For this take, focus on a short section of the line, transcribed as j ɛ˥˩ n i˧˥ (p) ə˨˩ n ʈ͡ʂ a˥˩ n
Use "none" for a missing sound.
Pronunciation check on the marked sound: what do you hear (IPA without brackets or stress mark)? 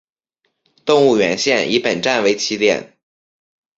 p